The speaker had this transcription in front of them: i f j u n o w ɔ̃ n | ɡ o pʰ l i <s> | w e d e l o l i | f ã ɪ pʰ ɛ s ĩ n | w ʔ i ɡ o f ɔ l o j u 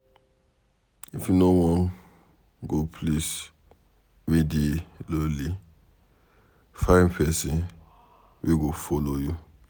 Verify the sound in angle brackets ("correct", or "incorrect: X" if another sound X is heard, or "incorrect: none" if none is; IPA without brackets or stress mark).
correct